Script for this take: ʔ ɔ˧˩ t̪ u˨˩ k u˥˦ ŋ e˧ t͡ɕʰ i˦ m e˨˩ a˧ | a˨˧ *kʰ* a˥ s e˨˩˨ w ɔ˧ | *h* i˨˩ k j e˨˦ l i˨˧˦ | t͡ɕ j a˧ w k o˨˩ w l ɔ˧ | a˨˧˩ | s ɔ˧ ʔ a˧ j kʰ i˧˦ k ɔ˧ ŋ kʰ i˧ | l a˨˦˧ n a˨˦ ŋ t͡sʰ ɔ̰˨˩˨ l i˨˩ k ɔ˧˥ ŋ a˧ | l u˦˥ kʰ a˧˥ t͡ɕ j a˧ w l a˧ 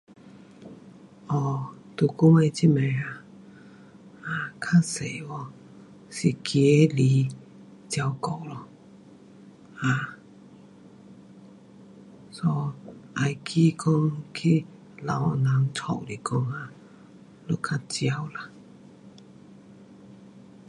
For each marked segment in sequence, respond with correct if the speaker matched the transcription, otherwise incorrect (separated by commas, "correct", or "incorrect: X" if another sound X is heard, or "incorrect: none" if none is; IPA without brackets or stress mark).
correct, incorrect: s